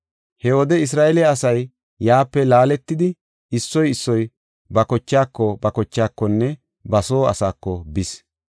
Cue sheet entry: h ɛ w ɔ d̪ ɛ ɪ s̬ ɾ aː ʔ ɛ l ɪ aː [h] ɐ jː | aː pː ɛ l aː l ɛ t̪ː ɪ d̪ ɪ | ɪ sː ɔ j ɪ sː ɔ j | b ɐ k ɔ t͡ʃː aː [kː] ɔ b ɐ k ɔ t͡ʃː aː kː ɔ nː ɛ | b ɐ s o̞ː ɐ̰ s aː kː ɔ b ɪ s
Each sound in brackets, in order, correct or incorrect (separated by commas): incorrect, correct